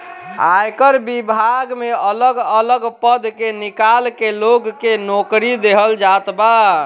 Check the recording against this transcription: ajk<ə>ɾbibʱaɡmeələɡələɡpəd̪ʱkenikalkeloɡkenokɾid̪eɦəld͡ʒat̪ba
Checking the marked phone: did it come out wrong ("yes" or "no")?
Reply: no